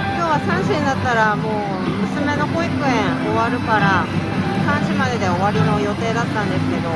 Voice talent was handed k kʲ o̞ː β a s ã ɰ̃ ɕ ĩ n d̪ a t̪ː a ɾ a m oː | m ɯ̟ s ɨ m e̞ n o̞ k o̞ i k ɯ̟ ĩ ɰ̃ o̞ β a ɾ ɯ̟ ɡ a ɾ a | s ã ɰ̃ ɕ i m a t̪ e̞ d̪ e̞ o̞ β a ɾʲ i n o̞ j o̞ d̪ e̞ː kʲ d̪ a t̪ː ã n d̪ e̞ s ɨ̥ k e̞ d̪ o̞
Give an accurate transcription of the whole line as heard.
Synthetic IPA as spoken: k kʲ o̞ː β a s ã ɰ̃ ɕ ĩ n d̪ a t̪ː a ɾ a m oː | m ɯ̟ s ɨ m e̞ n o̞ k o̞ i k ɯ̟ ẽ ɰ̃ o̞ β a ɾ ɯ̟ k a ɾ a | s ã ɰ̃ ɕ i m a d̪ e̞ d̪ e̞ o̞ β a ɾʲ i n o̞ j o̞ t̪ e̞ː d̪ a t̪ː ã n d̪ e̞ s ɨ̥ k e̞ d̪ o̞